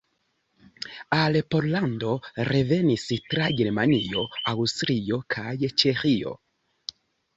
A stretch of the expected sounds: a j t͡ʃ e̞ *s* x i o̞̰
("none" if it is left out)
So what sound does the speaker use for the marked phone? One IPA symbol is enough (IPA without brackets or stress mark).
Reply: none